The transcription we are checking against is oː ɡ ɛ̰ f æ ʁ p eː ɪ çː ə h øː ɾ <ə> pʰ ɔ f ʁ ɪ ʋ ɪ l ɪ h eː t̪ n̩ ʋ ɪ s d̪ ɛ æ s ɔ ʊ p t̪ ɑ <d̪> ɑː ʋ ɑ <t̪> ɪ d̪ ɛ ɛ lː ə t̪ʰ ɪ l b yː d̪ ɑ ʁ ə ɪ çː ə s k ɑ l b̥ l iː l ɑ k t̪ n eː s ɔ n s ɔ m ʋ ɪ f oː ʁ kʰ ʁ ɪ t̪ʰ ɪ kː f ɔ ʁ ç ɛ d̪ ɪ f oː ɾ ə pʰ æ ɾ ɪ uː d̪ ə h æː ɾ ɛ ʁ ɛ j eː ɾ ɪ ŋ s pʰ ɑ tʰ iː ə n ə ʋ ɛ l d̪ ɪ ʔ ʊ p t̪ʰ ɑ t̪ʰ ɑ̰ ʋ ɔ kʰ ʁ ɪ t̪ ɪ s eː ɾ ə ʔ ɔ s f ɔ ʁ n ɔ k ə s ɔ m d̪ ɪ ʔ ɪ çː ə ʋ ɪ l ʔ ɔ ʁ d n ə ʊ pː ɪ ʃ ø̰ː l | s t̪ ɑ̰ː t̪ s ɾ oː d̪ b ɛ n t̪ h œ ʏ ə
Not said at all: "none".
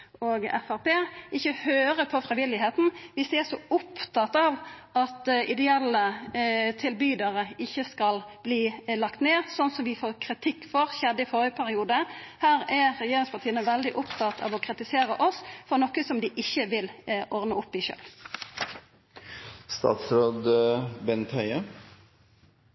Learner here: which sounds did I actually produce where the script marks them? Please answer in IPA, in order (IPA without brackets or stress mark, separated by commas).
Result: ə, t̪, t̪